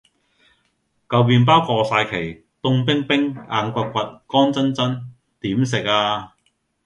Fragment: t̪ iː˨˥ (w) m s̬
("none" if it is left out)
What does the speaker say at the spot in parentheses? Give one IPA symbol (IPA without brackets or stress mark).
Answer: none